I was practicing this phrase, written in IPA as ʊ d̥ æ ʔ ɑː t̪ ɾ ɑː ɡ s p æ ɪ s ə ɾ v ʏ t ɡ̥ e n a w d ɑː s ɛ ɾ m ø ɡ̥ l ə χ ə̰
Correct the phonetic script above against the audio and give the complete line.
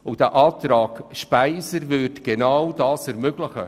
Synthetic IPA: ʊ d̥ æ ʔ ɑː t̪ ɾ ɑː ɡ ʃ p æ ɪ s ə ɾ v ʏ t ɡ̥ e n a w d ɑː s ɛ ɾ m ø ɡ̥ l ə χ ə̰